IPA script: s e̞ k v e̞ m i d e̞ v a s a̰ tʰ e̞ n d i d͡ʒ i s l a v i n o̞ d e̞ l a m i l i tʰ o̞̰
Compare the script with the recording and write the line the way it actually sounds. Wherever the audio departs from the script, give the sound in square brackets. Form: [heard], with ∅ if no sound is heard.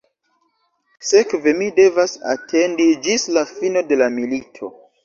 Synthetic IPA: s e̞ k v e̞ m i d e̞ v a s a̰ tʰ e̞ n d i d͡ʒ i s l a [f] i n o̞ d e̞ l a m i l i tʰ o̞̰